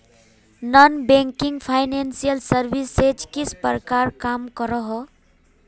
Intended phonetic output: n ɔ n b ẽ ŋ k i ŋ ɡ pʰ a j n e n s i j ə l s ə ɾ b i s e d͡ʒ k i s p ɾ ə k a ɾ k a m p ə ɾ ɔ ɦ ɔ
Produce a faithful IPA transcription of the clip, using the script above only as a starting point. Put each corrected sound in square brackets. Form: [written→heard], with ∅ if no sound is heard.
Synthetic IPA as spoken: n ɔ n b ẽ ŋ k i ŋ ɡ pʰ a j n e n s i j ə l s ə ɾ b i s e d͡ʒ k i s p ɾ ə k a ɾ k a m [p→k] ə ɾ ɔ ɦ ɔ